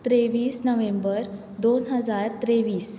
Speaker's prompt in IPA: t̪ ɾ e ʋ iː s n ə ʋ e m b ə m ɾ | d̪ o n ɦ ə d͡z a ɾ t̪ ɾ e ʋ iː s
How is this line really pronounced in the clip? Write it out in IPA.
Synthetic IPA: t̪ ɾ e ʋ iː s n ə ʋ e m b ə ɾ | d̪ o n ɦ ə d͡z a ɾ t̪ ɾ e ʋ iː s